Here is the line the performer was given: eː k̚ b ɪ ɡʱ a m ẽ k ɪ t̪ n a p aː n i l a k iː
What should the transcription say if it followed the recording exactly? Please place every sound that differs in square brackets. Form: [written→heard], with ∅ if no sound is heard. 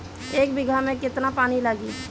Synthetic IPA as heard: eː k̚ b ɪ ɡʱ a m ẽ k ɪ t̪ n a p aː n i l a [k→ɡ] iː